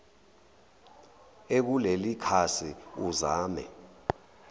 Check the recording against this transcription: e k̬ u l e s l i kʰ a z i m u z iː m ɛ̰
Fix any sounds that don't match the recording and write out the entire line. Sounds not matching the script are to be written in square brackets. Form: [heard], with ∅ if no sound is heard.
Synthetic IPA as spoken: e k̬ u l e [∅] l i kʰ a [s] i [∅] u z [aː] m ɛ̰